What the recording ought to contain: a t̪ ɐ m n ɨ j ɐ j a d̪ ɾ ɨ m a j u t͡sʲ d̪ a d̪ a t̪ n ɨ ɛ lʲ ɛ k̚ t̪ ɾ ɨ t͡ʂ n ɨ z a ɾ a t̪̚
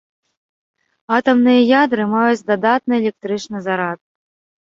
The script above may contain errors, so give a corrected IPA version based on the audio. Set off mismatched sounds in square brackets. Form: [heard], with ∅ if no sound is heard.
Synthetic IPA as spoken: a t̪ ɐ m n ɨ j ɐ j a d̪ ɾ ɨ m a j u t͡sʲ d̪ a d̪ a t̪ n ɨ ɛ lʲ ɛ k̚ t̪ ɾ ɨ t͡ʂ n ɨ z a ɾ a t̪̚